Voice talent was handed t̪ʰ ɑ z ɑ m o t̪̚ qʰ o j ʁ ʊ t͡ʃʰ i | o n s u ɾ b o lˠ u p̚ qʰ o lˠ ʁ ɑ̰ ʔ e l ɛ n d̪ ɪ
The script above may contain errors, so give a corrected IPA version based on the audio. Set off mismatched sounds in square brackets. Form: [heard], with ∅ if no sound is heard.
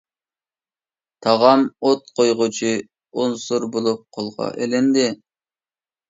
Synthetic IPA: t̪ʰ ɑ [ʁ] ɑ m o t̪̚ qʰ o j ʁ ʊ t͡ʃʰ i | o n s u ɾ b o lˠ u p̚ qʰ o lˠ ʁ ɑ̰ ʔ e l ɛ n d̪ ɪ